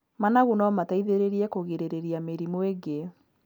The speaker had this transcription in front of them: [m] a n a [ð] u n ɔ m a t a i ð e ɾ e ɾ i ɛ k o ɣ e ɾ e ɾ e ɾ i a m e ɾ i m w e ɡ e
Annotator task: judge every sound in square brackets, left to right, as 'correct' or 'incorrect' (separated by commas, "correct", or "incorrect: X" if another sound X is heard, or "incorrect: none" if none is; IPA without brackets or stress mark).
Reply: correct, incorrect: ɣ